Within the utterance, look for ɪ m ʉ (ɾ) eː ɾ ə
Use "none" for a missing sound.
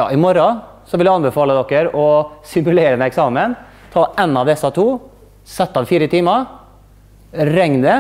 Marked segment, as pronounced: l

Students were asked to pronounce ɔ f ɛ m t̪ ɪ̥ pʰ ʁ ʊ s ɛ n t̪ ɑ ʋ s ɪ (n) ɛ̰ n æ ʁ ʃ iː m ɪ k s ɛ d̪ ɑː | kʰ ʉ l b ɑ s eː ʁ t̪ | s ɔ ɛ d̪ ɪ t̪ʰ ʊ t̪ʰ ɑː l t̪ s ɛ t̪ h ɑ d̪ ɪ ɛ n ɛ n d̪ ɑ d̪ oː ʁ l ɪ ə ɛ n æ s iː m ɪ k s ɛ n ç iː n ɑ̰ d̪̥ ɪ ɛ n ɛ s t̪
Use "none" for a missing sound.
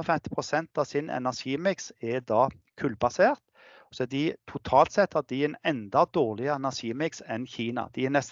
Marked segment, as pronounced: n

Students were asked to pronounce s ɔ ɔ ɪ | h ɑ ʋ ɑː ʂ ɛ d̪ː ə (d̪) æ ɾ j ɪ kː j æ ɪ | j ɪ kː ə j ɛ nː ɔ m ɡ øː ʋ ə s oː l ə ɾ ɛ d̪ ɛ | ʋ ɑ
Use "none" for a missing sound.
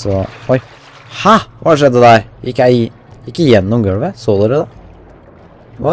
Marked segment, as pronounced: d̪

